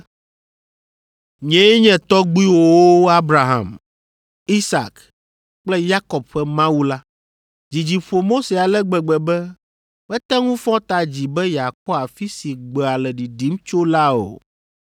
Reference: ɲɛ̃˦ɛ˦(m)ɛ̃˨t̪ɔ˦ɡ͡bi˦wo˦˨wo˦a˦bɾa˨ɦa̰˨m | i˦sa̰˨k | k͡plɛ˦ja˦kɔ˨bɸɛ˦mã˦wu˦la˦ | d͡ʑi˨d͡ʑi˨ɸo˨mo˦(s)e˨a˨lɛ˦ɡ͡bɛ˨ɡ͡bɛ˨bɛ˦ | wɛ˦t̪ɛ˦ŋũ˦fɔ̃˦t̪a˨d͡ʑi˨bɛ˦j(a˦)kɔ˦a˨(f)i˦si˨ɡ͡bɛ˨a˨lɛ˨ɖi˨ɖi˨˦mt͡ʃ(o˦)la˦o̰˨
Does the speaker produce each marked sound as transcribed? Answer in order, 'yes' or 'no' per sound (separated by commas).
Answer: no, yes, no, yes, yes